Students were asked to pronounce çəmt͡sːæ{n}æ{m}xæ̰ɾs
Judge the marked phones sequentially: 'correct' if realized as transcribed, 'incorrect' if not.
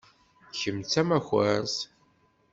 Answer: incorrect, incorrect

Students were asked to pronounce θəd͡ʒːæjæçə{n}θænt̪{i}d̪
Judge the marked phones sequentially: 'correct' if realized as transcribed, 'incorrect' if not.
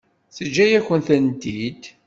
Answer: correct, correct

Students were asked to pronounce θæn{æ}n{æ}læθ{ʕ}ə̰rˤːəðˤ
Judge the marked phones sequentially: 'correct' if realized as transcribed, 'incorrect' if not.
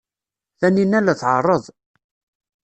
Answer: incorrect, correct, correct

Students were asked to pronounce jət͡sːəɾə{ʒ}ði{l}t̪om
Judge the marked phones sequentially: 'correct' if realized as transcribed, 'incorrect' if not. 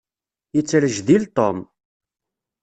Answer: correct, correct

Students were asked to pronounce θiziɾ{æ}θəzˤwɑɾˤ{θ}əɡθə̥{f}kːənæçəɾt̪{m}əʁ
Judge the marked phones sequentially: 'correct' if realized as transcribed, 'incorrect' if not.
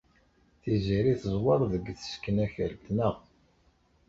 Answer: incorrect, incorrect, incorrect, incorrect

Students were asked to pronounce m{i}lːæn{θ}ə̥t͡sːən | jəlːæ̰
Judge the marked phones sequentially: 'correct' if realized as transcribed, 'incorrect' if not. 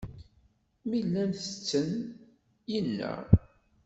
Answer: correct, correct

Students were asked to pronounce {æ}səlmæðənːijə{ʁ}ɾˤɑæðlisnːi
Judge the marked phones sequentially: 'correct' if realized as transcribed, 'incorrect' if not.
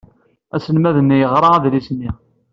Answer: correct, correct

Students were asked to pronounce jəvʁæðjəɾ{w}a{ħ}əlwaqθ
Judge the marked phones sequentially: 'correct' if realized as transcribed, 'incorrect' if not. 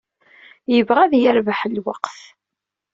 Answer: incorrect, correct

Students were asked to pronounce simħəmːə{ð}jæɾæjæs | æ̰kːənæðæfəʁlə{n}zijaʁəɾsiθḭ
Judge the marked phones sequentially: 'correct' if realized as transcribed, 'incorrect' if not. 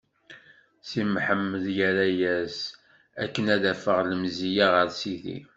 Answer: correct, incorrect

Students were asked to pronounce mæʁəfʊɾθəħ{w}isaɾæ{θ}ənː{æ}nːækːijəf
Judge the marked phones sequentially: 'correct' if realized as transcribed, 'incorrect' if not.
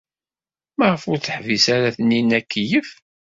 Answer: incorrect, correct, incorrect

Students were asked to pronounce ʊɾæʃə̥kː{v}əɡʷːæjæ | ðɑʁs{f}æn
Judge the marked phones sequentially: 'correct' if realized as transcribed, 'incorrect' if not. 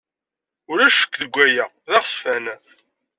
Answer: incorrect, correct

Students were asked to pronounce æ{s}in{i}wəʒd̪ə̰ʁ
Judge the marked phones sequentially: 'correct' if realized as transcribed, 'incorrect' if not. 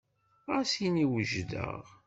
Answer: correct, correct

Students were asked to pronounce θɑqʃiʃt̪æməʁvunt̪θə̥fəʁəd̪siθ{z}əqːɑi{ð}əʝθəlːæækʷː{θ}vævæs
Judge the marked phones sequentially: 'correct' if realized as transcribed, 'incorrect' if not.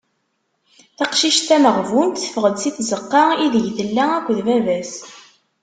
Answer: correct, correct, incorrect

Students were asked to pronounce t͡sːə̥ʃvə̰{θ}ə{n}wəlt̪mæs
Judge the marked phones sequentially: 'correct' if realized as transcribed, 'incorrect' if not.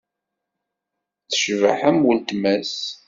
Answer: incorrect, incorrect

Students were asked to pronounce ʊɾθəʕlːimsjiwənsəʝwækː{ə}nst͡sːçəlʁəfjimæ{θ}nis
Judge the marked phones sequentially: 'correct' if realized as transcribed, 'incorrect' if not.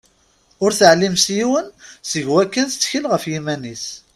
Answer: correct, incorrect

